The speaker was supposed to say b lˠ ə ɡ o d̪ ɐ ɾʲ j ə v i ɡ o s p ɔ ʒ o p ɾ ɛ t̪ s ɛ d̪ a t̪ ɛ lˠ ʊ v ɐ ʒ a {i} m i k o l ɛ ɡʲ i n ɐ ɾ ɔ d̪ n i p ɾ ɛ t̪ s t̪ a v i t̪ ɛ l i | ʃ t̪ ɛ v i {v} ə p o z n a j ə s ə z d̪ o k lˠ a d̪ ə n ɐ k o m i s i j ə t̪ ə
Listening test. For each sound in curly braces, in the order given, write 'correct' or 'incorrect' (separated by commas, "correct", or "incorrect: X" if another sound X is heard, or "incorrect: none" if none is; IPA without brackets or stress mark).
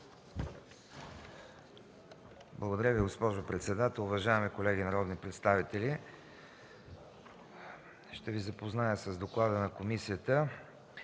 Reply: incorrect: ɛ, incorrect: z